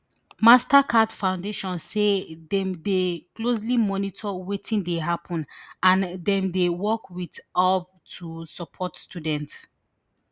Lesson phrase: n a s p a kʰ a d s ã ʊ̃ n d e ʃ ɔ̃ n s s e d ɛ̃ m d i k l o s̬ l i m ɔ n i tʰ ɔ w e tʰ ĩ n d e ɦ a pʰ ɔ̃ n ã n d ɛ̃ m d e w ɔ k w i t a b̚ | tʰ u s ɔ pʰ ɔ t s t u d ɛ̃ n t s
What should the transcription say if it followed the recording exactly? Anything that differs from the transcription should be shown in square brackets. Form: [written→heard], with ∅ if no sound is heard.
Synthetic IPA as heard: [n→m] a s [p→t] a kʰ a d [s→f] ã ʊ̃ n d e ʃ ɔ̃ n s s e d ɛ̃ m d [i→e] k l o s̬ l i m ɔ n i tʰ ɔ w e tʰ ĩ n d e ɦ a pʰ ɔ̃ n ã n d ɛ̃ m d e w ɔ k w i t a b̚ | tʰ u s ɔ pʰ ɔ t s t u d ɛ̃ n t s